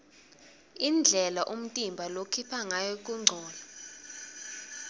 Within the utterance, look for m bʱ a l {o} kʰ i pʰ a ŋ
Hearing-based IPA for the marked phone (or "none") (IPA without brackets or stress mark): o